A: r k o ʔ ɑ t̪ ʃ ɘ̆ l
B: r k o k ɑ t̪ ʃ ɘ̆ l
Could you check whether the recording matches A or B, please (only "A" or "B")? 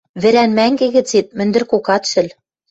B